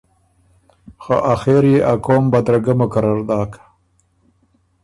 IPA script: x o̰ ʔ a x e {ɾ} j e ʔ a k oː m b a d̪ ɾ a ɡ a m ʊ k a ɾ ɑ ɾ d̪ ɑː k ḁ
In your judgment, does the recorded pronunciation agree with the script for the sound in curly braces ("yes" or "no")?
yes